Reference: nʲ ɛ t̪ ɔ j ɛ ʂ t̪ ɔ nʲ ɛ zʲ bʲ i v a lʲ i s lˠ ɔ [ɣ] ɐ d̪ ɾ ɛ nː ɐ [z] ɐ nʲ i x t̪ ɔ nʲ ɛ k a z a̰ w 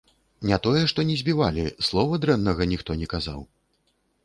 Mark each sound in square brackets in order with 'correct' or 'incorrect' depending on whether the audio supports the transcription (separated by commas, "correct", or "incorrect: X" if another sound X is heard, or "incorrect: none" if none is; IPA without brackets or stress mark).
incorrect: v, incorrect: ɣ